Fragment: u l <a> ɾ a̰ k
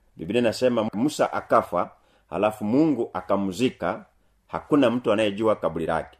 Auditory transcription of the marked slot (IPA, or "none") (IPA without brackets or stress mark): i